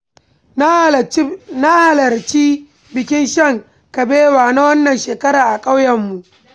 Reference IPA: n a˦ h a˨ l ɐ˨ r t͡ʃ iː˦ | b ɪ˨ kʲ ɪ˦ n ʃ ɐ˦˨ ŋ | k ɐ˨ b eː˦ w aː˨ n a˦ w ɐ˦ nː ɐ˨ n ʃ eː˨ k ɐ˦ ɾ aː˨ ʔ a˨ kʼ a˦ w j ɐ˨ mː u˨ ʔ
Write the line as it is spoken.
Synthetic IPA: n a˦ h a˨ l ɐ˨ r t͡ʃ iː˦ | b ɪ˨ kʲ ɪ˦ n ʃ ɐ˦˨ ŋ | k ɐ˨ b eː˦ w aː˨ n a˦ w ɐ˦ nː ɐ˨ n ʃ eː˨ k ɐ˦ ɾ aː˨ ʔ a˨ kʼ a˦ w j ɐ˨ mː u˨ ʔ